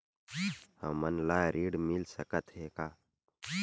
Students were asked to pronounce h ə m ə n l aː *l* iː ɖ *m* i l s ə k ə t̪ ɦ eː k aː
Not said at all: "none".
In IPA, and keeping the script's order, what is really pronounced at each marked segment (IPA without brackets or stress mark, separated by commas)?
ɾ, m